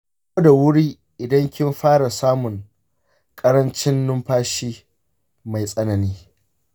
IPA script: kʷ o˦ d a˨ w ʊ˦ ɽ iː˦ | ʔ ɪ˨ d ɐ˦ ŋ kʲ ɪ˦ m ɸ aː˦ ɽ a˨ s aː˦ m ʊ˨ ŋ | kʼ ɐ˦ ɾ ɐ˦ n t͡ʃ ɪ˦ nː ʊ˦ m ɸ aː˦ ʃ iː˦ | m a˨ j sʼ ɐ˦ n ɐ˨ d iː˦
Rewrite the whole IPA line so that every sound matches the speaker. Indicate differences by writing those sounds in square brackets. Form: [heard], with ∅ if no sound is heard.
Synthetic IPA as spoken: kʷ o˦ d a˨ w ʊ˦ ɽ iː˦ | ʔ ɪ˨ d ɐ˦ ŋ kʲ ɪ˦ m ɸ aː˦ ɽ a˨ s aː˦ m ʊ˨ ŋ | kʼ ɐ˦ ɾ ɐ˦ n t͡ʃ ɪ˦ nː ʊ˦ m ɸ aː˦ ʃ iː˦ | m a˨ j sʼ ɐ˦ n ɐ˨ [n] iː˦